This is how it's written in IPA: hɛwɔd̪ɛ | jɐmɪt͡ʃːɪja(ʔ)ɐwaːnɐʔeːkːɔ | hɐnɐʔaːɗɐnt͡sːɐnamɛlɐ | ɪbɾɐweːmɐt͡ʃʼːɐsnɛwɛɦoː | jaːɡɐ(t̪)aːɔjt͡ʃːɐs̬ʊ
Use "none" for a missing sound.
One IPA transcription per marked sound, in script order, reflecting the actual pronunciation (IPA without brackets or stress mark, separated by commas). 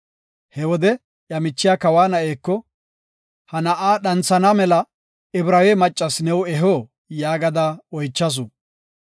k, d̪